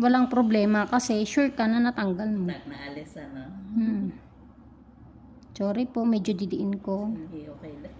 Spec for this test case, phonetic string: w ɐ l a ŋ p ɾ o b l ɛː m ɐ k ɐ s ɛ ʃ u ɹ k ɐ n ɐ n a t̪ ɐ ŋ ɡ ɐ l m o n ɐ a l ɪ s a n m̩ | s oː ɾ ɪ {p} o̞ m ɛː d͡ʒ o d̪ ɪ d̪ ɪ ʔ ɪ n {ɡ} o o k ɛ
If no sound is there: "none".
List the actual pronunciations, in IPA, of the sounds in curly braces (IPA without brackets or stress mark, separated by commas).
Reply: p, k